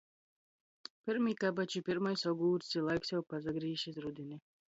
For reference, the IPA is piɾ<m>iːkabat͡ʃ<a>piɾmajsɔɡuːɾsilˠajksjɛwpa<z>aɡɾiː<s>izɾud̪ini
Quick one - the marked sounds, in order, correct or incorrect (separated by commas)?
correct, incorrect, correct, incorrect